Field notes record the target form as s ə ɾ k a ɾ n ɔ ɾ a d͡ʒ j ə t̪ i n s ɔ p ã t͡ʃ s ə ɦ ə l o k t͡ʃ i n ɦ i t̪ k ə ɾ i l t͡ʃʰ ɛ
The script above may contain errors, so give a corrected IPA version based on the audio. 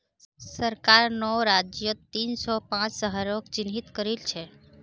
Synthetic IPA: s ə ɾ k a ɾ n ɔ ɾ a d͡ʒ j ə t̪ i n s ɔ p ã t͡ʃ s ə ɦ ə ɾ o k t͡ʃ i n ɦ i t̪ k ə ɾ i l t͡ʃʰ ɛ